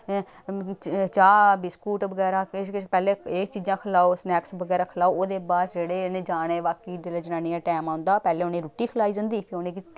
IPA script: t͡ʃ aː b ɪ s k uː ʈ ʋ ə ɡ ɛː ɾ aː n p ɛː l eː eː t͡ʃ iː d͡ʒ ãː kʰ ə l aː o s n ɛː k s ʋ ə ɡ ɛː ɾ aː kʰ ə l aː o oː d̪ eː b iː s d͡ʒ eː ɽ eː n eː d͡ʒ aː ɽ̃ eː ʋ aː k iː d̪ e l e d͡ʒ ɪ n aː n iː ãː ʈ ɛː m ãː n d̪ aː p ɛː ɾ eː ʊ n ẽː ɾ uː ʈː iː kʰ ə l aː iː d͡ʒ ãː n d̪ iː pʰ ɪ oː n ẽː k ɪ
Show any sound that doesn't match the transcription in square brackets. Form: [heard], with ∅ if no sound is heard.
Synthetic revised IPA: t͡ʃ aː b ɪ s k uː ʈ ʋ ə ɡ ɛː ɾ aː [∅] p ɛː l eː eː t͡ʃ iː d͡ʒ ãː kʰ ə l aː o s n ɛː k s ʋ ə ɡ ɛː ɾ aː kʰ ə l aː o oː d̪ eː b [aː] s d͡ʒ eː ɽ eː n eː d͡ʒ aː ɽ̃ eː ʋ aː k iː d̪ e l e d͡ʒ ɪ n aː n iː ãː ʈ ɛː m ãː n d̪ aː p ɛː [l] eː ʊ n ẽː ɾ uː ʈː iː kʰ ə l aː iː d͡ʒ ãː n d̪ iː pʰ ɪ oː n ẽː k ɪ